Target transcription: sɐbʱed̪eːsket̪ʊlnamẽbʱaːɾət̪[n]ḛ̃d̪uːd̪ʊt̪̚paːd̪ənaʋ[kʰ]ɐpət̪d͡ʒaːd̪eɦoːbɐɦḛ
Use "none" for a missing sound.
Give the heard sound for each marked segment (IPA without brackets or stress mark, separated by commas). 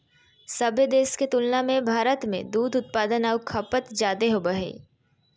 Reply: m, kʰ